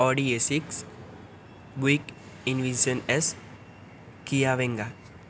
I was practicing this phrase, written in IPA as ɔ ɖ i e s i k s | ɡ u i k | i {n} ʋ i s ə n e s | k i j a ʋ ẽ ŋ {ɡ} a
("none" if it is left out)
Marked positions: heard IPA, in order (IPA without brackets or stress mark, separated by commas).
n, ɡ